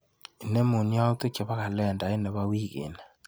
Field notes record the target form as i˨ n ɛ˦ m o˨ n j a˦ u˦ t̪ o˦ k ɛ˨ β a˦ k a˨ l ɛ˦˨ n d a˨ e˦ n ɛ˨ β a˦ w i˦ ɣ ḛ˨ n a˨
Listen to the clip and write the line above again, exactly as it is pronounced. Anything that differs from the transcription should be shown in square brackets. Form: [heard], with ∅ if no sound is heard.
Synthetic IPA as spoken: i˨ n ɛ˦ m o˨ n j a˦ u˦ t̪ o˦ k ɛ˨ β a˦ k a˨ l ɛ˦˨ n d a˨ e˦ n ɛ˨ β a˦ w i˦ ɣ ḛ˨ n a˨